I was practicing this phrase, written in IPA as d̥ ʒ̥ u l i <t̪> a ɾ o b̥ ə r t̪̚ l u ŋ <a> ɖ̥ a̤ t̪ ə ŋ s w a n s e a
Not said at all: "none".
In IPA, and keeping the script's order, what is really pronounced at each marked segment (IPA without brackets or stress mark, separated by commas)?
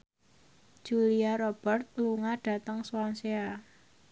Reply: none, a